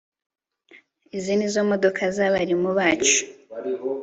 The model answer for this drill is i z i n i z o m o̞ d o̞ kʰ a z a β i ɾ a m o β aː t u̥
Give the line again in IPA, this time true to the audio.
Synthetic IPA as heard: i z i n i z o m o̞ d o̞ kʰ a z a β a ɾ i m u β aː t͡ʃ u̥